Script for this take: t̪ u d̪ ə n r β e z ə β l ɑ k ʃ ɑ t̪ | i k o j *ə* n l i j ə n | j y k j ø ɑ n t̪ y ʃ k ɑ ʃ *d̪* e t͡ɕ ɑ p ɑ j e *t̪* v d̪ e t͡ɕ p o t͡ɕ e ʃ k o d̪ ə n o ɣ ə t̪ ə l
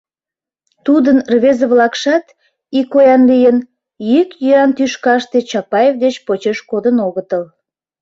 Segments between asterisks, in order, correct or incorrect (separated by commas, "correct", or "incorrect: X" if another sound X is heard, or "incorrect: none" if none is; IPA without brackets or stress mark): incorrect: ɑ, incorrect: t̪, incorrect: none